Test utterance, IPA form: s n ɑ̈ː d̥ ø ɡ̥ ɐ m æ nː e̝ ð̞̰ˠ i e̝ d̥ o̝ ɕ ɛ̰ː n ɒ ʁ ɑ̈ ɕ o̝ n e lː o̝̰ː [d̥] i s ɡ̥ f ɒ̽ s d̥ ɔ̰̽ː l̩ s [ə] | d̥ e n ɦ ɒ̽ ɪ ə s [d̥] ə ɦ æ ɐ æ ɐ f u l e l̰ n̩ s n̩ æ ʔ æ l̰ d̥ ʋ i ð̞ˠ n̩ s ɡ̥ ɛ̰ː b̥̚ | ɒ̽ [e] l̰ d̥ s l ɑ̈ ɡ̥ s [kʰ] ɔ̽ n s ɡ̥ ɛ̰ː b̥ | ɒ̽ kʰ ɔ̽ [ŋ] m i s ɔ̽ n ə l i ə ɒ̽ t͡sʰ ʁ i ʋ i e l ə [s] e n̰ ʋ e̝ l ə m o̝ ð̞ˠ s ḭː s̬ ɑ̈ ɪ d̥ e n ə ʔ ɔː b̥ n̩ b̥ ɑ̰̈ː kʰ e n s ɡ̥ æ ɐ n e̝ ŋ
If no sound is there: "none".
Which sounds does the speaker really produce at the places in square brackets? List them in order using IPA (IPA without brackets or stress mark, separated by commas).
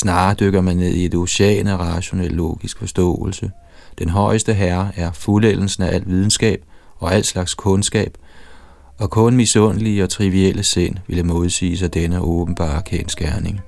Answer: ɡ̥, ə, d̥, æ, kʰ, n, s